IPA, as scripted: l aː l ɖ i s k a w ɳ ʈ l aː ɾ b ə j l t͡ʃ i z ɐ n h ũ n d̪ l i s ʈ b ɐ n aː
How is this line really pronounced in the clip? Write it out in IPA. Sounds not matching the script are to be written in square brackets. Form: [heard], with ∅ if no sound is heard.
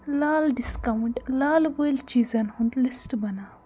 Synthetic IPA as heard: l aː l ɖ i s k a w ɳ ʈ l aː [l] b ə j l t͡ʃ i z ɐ n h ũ n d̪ l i s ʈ b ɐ n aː